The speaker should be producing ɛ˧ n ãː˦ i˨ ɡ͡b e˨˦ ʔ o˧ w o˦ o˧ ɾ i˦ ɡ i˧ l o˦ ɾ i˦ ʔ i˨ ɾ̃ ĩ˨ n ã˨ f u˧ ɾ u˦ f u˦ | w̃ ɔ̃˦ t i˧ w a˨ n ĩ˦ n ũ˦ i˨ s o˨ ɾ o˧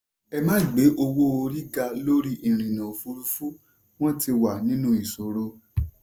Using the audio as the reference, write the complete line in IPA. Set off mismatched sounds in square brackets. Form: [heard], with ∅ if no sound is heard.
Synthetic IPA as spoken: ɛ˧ [m] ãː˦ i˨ ɡ͡b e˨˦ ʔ o˧ w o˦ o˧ ɾ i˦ ɡ [a˧] l o˦ ɾ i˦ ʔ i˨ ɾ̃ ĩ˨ n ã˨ f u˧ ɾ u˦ f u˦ | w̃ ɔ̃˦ t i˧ w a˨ n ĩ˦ n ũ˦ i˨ s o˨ ɾ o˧